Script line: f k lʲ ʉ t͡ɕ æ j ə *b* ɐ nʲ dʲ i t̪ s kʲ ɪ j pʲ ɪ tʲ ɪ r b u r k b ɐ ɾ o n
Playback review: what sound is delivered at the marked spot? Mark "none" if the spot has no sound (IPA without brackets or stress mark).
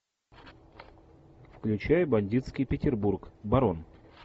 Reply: b